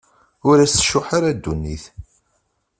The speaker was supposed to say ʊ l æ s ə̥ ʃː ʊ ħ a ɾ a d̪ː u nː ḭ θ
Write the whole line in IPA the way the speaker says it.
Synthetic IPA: ʊ ɾ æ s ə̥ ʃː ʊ ħ a ɾ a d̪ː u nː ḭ θ